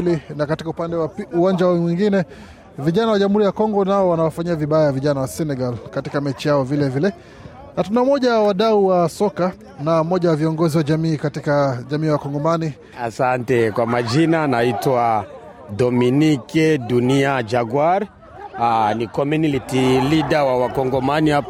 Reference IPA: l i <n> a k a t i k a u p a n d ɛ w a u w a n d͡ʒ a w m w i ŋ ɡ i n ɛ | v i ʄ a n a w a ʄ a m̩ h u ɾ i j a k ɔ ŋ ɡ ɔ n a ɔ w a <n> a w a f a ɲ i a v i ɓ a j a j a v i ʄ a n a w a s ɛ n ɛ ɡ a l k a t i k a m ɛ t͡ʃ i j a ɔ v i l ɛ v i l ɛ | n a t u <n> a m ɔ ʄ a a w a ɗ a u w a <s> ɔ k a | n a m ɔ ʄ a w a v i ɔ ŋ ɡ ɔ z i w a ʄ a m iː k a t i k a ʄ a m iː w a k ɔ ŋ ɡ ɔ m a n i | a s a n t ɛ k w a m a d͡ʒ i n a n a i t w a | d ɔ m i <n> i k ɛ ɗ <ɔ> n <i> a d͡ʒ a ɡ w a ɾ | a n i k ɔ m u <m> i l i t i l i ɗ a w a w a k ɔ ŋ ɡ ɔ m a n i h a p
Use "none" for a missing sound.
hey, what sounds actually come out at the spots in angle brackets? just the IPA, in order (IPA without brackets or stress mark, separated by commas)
n, n, n, s, n, u, i, n